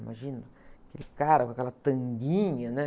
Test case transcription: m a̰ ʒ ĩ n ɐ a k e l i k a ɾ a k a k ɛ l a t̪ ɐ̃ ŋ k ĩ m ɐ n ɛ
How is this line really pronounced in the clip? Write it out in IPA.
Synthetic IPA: m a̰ ʒ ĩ n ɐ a k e l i k a ɾ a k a k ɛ l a t̪ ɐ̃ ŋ ɡ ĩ ɲ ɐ n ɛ